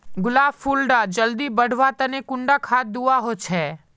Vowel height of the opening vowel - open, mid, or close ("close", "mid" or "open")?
close